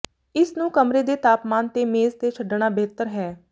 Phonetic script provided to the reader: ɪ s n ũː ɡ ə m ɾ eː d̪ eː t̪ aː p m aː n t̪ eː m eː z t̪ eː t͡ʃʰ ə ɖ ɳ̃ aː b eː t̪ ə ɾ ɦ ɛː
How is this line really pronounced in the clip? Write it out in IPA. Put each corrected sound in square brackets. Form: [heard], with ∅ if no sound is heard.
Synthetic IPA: ɪ s n ũː [k] ə m ɾ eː d̪ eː t̪ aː p m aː n t̪ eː m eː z t̪ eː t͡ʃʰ ə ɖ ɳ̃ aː b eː t̪ ə ɾ ɦ ɛː